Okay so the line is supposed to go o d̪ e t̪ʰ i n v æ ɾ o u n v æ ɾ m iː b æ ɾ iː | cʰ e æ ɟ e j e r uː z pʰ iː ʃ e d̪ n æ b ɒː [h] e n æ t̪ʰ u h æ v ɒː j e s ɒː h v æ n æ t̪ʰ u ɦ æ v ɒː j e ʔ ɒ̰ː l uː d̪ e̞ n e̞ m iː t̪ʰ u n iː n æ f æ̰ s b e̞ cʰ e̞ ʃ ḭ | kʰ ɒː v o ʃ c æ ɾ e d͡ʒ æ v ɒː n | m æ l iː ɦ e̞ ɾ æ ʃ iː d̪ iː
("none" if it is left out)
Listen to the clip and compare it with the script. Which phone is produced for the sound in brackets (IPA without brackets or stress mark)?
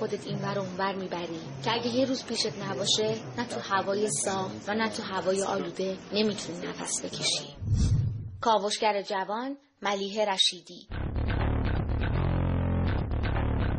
ʃ